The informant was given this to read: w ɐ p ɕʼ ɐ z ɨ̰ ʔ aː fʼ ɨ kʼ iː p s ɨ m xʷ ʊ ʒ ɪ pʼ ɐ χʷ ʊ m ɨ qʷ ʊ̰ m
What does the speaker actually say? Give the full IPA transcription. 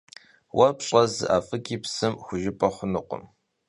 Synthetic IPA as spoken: w ɐ p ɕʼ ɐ z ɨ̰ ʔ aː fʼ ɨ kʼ iː p s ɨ m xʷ ʊ ʒ ɪ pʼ ɐ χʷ ʊ n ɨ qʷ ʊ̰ m